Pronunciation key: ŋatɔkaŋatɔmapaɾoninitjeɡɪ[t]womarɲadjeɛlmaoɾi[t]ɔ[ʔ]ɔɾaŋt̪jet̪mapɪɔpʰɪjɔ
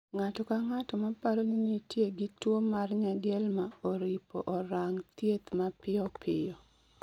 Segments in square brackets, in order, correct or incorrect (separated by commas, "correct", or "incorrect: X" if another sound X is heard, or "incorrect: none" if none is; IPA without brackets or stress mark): correct, incorrect: p, correct